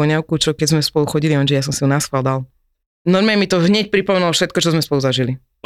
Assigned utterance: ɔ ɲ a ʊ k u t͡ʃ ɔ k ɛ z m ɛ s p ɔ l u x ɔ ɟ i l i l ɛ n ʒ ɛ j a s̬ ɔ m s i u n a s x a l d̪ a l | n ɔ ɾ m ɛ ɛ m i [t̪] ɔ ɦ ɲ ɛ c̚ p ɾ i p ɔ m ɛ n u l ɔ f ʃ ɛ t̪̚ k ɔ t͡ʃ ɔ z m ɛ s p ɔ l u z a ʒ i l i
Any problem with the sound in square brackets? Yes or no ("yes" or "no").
no